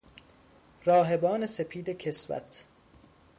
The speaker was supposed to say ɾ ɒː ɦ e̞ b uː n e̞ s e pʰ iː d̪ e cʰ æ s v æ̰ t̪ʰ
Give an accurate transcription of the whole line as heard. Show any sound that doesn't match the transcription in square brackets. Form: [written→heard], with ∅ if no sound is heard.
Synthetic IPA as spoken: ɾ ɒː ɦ e̞ b [uː→ɒː] n e̞ s e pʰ iː d̪ e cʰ [æ→e] s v æ̰ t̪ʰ